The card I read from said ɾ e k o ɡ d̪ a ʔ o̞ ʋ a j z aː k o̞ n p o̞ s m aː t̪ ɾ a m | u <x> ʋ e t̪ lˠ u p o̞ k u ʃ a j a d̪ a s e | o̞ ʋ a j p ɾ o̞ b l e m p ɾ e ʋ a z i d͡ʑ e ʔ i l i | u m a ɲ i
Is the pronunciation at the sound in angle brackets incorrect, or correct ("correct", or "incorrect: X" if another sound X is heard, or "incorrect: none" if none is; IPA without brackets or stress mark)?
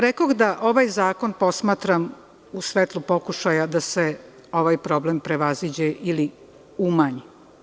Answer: incorrect: s